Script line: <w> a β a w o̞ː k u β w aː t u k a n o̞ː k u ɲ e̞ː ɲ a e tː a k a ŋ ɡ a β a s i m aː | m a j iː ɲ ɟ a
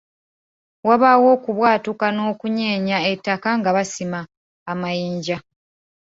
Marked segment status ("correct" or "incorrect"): correct